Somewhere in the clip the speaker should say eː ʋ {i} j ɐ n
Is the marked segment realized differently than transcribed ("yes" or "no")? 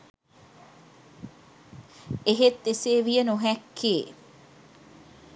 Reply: no